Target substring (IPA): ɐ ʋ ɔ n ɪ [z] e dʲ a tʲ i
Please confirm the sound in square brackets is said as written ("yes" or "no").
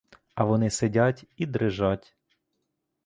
no